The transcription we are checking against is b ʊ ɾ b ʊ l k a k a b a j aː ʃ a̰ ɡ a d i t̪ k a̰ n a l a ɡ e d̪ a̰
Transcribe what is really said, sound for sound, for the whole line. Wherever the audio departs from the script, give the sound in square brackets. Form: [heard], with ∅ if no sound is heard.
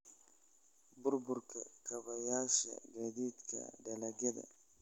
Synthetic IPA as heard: b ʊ ɾ b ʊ [ɾ] k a k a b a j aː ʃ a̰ ɡ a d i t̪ k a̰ [d] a l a ɡ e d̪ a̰